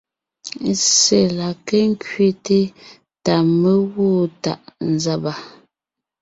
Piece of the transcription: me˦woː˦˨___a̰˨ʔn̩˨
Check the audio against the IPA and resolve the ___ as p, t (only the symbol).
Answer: t